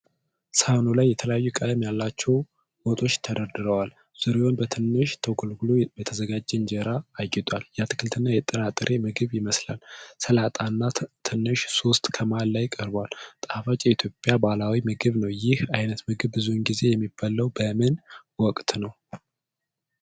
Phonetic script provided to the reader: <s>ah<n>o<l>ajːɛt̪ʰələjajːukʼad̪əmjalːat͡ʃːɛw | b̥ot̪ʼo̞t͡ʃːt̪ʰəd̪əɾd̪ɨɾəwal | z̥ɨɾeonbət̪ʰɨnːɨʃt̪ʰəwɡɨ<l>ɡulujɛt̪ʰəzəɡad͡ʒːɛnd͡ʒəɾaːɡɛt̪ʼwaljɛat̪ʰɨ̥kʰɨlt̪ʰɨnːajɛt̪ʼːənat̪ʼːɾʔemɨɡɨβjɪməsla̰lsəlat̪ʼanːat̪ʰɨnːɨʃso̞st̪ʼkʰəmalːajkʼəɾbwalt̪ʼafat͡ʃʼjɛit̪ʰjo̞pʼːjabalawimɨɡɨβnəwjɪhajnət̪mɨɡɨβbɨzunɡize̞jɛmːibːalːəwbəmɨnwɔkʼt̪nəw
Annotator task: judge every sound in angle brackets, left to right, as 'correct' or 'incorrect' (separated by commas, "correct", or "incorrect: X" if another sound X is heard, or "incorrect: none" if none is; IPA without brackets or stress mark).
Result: correct, correct, correct, correct